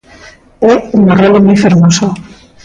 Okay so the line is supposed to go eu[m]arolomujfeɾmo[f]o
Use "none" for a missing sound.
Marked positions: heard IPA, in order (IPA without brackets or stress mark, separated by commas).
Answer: ŋ, s